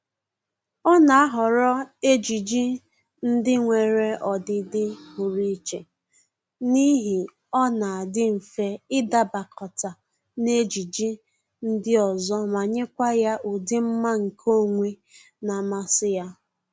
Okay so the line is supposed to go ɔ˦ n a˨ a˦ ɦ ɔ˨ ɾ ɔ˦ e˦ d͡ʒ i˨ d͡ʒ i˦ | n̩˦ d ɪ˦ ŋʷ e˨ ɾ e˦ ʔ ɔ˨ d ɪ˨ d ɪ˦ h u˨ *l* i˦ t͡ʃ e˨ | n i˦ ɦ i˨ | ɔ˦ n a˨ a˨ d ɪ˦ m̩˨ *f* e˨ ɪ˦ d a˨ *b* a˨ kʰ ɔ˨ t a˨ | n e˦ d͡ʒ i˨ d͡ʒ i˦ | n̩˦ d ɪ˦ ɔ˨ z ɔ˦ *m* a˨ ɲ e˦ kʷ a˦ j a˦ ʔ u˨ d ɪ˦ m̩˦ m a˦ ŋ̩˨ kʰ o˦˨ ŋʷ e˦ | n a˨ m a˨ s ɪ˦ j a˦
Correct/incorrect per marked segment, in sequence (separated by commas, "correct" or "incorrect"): incorrect, correct, correct, correct